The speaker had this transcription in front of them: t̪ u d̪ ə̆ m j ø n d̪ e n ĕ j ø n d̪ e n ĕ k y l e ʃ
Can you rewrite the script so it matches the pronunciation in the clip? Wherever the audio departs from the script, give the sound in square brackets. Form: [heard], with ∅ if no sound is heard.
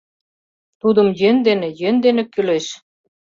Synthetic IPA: t̪ u d̪ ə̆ m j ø n d̪ e n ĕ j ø n d̪ e n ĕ k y l e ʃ